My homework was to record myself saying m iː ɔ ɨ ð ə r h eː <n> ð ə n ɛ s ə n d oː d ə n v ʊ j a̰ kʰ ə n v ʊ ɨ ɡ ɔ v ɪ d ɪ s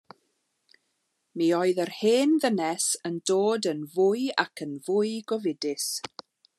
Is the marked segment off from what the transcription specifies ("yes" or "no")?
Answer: no